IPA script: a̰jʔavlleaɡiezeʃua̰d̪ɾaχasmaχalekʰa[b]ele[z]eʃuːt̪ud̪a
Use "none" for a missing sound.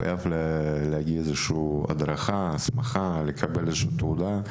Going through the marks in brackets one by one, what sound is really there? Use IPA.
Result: b, z

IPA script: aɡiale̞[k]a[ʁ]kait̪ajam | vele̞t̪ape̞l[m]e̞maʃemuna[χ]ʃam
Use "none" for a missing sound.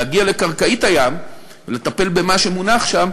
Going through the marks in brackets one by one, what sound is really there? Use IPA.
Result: k, ʁ, b, χ

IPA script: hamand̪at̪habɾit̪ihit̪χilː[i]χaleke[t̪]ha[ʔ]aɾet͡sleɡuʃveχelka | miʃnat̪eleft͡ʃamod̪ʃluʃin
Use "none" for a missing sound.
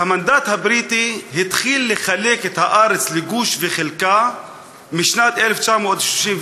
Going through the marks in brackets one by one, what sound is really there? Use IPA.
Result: e, t̪, ʔ

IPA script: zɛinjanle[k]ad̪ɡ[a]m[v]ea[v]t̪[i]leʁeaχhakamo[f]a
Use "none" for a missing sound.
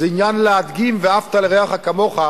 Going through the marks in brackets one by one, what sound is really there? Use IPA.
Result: none, i, v, f, a, χ

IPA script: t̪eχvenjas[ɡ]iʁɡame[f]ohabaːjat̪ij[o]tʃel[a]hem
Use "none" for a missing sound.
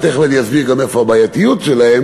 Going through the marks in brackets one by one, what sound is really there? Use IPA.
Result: b, f, u, a

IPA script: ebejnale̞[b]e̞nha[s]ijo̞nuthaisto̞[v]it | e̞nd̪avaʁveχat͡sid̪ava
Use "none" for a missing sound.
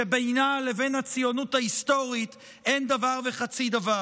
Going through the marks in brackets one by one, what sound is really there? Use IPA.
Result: v, t͡s, ʁ

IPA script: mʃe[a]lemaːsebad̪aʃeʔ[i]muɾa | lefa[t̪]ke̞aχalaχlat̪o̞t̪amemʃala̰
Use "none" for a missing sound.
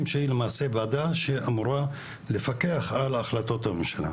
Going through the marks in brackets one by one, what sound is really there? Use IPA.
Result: i, a, none

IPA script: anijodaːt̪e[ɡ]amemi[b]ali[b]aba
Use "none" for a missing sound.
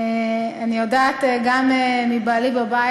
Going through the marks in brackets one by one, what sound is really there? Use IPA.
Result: ɡ, b, b

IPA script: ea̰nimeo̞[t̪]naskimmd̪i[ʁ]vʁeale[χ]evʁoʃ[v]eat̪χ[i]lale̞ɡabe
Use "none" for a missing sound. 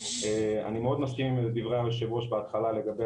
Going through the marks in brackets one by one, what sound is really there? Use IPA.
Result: d̪, none, ʃ, b, a

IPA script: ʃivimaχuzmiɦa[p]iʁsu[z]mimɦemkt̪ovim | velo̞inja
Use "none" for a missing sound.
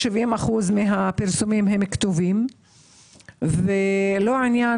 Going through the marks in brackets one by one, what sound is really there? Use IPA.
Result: p, none

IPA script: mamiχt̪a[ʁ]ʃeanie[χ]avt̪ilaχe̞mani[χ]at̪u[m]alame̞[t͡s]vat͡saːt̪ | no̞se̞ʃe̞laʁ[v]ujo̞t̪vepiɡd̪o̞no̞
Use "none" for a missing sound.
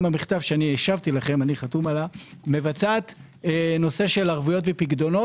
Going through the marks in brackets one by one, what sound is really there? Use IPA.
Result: v, ʃ, χ, m, none, v

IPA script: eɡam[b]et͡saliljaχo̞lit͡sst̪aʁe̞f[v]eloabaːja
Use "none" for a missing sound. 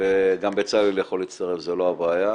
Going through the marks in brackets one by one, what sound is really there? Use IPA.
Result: b, z

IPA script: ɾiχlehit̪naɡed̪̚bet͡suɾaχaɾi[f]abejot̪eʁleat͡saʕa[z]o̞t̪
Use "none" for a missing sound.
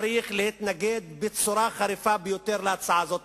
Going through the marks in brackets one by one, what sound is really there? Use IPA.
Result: f, z

